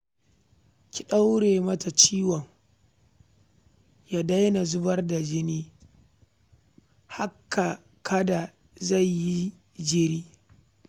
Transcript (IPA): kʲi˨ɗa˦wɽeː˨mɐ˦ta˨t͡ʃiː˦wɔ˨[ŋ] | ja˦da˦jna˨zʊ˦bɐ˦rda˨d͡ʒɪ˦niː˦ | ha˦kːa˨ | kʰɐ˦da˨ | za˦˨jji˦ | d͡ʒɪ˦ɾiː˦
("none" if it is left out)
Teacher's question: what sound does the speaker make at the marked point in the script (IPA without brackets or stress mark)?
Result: ŋ